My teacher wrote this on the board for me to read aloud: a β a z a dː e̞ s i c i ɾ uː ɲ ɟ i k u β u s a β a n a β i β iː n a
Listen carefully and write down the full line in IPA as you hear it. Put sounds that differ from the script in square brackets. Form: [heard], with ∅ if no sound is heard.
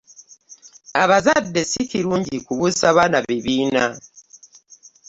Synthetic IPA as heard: a β a z a dː e̞ s i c i ɾ uː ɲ ɟ i k u β u s a β a n a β i β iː n a